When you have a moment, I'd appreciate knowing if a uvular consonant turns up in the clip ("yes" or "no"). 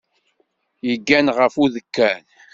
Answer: yes